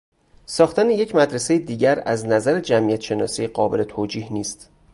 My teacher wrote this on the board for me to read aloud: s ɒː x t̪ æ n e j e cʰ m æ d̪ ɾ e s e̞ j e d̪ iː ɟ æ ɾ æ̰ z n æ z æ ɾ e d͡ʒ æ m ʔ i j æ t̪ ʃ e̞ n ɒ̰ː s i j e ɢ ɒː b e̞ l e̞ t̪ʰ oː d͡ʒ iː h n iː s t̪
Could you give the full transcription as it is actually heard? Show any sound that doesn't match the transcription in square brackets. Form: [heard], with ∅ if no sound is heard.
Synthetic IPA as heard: s ɒː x t̪ æ n e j e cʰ m æ d̪ ɾ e s e̞ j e d̪ iː ɟ æ ɾ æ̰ z n æ z æ ɾ e d͡ʒ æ m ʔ i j æ t̪ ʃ e̞ n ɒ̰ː s i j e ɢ ɒː b e̞ l e̞ t̪ʰ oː d͡ʒ iː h n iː s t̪